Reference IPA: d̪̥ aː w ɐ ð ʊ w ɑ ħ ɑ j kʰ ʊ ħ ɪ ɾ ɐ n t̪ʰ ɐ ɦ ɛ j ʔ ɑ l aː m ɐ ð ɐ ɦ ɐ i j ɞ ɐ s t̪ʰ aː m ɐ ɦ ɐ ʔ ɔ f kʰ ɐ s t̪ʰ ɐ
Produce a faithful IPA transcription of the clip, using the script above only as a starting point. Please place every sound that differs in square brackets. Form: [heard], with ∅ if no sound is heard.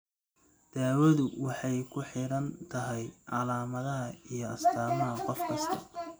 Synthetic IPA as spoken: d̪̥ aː w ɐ ð ʊ w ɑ ħ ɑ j kʰ ʊ ħ ɪ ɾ ɐ n t̪ʰ ɐ ɦ ɛ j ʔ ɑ l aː m ɐ ð ɐ ɦ ɐ i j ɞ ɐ s t̪ʰ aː m ɐ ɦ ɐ [q] ɔ f kʰ ɐ s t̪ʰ ɐ

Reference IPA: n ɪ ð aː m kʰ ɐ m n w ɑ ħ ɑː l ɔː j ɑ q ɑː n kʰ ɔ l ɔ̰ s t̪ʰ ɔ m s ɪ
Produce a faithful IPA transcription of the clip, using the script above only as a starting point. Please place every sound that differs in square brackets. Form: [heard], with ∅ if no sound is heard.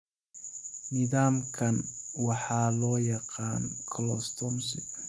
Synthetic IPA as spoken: n ɪ ð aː m kʰ ɐ [∅] n w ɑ ħ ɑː l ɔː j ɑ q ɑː n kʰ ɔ l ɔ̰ s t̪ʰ ɔ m s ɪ

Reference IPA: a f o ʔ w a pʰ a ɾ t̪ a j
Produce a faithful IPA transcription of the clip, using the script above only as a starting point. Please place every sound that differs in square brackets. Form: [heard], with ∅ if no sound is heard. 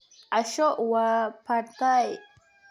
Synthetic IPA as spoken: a [ʃ] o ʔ w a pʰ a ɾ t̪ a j

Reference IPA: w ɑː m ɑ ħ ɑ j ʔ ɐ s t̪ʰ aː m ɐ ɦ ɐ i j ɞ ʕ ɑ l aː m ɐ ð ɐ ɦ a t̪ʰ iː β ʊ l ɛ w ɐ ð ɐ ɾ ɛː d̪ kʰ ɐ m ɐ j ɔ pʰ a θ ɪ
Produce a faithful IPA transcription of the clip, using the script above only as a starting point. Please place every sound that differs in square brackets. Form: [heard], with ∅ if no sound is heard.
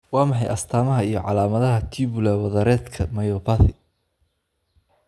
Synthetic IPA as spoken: w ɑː m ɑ ħ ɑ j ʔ ɐ s t̪ʰ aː m ɐ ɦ ɐ i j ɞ ʕ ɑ l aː m ɐ ð ɐ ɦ [ɐ] t̪ʰ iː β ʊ l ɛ w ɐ ð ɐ ɾ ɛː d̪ kʰ ɐ m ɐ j ɔ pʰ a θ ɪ

